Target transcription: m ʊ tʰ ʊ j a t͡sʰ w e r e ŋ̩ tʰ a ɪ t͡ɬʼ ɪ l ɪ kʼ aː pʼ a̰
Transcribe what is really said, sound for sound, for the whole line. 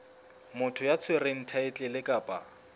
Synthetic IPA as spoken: m ʊ tʰ ʊ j a t͡sʰ w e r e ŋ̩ tʰ a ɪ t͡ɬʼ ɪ l ɪ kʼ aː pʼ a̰